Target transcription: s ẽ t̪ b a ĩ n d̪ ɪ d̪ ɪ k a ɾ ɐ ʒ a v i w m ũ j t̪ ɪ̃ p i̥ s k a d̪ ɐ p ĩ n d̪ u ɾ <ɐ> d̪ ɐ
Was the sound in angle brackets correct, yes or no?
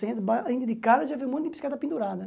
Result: no